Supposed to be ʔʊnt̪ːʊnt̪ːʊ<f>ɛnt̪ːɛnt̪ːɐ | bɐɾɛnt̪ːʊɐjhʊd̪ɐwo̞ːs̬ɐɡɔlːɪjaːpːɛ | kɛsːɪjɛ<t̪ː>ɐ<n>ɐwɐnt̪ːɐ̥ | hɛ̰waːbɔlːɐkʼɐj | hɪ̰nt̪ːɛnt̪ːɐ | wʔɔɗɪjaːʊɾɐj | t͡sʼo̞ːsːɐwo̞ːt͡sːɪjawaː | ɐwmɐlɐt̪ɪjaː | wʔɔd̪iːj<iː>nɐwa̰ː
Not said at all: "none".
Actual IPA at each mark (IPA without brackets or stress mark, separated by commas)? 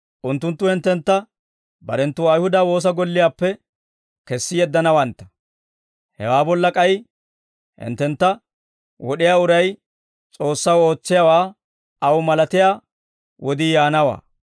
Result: h, d̪ː, n, aː